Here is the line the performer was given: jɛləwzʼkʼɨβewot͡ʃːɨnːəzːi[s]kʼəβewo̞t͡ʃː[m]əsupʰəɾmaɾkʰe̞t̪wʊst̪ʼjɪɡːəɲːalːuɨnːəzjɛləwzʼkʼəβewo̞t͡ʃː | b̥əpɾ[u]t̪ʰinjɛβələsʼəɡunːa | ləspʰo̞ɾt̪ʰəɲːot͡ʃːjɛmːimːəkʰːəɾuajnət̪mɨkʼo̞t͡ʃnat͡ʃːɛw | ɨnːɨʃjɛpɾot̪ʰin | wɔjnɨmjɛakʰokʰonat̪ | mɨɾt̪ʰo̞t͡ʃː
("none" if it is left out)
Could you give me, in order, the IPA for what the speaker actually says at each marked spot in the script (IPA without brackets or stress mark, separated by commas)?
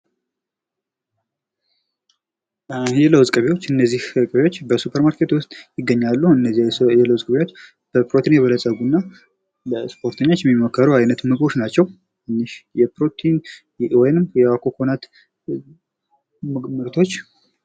h, b, o